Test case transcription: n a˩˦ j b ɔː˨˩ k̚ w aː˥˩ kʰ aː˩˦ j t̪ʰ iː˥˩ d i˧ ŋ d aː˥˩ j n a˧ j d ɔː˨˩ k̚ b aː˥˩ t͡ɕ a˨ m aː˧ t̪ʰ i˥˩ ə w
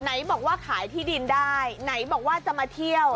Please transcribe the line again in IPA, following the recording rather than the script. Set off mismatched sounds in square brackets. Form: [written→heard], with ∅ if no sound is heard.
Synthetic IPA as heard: n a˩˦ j b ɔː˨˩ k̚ w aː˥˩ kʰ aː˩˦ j t̪ʰ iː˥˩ d i˧ [ŋ→n] d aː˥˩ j n [a˧→a˩˦] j [d→b] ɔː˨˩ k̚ [b→w] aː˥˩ t͡ɕ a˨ m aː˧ t̪ʰ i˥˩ ə w